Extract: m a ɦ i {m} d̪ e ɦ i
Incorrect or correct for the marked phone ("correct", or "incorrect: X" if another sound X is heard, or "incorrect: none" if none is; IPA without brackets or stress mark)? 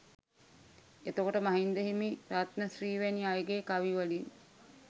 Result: incorrect: n